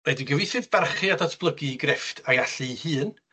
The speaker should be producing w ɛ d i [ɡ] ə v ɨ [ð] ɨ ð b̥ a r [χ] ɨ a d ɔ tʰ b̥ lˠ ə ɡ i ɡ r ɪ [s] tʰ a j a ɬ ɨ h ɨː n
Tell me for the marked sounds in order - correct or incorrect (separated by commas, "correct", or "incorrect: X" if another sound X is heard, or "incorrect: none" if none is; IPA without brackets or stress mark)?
correct, incorrect: θ, correct, incorrect: f